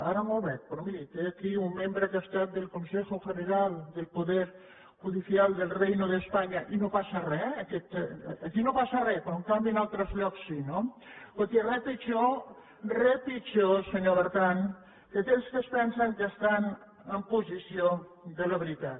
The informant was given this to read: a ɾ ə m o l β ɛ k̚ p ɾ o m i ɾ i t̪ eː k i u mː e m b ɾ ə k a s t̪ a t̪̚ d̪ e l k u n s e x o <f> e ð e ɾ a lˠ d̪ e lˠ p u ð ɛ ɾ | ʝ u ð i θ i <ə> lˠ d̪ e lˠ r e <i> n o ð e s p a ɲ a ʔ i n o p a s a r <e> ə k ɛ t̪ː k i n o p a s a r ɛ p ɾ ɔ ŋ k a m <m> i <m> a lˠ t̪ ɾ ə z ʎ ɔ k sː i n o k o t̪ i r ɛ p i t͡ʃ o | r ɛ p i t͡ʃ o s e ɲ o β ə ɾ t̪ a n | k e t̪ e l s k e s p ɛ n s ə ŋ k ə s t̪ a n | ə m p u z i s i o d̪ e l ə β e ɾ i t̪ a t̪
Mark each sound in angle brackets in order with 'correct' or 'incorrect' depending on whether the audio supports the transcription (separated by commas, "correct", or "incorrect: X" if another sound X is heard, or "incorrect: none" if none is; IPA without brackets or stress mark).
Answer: correct, incorrect: a, incorrect: j, incorrect: ɛ, incorrect: b, incorrect: n